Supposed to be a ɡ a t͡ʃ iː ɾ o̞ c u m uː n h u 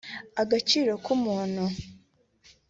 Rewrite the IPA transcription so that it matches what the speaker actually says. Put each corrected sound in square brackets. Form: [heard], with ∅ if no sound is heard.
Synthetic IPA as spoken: a ɡ a t͡ʃ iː ɾ o̞ [k] u m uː n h u